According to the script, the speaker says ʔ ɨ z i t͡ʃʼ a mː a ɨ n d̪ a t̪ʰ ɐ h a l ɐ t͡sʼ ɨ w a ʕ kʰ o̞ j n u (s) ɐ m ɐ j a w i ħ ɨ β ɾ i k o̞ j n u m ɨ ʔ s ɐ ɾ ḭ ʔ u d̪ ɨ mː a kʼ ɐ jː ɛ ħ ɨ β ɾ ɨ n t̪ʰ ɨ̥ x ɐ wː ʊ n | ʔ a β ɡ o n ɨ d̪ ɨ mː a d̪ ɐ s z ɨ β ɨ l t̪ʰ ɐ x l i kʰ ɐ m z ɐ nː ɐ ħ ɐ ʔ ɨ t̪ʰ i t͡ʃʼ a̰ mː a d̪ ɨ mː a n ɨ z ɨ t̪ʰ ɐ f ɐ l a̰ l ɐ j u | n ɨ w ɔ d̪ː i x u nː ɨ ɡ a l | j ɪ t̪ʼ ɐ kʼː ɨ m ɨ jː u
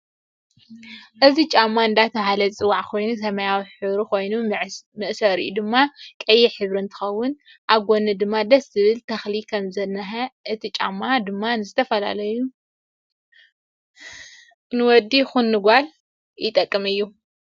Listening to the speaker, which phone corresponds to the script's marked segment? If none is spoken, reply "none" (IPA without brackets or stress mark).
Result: s